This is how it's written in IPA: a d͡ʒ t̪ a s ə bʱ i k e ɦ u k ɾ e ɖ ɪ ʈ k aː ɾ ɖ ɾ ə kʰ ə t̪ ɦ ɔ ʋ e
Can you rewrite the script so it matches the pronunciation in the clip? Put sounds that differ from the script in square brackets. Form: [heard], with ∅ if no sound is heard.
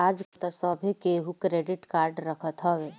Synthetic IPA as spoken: a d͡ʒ t̪ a s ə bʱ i k e ɦ u k ɾ e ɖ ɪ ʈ k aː ɾ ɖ ɾ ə kʰ ə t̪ ɦ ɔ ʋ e